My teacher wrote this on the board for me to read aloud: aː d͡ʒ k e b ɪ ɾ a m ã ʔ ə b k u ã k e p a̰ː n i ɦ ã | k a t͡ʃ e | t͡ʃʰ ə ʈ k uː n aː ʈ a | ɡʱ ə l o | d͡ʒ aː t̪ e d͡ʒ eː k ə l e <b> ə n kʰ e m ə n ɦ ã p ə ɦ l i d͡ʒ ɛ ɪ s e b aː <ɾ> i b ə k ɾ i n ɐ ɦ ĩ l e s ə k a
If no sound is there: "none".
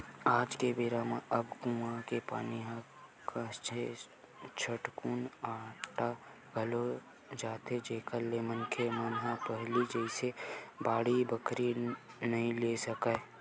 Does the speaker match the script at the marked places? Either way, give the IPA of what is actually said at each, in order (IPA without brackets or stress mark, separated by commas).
m, ɽ